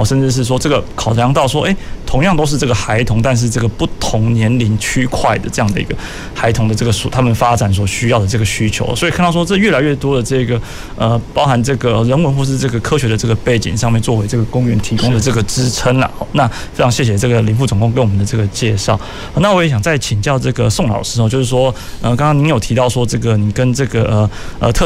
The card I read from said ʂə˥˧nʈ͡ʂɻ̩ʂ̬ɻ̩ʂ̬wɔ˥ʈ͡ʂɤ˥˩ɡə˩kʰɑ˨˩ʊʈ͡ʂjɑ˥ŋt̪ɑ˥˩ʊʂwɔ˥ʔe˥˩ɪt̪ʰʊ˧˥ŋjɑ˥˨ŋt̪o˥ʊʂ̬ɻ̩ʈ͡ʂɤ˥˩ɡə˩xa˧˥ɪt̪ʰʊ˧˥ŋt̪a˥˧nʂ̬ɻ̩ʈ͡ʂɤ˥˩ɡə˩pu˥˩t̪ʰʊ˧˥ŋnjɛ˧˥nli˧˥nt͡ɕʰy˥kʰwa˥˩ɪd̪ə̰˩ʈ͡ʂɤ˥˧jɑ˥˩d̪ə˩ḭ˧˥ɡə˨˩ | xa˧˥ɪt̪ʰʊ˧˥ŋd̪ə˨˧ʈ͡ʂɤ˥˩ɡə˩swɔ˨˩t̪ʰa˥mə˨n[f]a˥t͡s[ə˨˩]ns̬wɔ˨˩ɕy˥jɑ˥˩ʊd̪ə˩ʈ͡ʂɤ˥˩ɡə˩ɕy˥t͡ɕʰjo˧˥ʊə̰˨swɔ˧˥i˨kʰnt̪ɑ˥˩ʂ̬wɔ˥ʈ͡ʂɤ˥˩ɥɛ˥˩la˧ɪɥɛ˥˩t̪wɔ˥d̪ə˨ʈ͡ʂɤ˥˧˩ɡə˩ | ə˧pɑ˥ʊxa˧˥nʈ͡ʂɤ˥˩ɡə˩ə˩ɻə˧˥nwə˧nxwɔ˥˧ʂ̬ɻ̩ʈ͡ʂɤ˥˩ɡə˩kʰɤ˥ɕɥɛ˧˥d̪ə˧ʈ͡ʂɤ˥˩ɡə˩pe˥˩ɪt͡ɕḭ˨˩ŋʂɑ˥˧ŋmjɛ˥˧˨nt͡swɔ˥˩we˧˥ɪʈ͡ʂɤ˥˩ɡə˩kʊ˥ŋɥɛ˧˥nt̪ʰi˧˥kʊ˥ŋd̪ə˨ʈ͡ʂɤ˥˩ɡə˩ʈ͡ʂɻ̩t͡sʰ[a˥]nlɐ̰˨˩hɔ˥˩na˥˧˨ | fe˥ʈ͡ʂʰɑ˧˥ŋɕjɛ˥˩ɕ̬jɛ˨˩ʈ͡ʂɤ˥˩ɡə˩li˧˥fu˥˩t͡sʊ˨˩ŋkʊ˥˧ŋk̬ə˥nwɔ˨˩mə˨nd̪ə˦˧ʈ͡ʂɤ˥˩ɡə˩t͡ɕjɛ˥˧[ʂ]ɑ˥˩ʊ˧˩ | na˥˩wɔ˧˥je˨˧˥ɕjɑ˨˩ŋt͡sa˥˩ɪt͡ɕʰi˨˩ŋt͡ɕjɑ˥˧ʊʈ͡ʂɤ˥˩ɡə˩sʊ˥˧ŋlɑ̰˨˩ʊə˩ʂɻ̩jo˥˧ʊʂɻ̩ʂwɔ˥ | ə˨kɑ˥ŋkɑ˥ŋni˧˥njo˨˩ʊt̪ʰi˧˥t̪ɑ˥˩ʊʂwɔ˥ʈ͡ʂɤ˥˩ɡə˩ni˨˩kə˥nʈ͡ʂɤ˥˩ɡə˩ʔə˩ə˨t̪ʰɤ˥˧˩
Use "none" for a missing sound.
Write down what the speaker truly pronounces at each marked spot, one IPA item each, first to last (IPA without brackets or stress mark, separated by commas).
f, a˨˩, ə˥, ʂ